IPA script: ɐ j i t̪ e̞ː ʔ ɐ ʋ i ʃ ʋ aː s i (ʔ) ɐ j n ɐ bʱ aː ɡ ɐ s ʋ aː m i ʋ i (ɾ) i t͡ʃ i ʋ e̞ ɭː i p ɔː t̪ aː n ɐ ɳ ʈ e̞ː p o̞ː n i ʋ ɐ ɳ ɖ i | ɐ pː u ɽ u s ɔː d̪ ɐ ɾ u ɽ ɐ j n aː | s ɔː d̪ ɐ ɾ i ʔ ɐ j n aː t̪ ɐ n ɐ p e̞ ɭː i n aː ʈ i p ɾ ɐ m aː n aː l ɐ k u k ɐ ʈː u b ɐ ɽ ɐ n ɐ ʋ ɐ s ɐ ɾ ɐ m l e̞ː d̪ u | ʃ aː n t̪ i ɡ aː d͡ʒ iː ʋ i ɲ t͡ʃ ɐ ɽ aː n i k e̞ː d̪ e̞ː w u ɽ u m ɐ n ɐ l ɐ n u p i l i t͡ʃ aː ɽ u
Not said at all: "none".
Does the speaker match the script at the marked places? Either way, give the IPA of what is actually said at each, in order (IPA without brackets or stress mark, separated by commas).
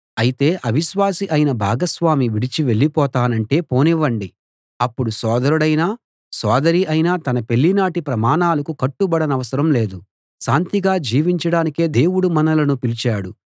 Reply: ʔ, ɽ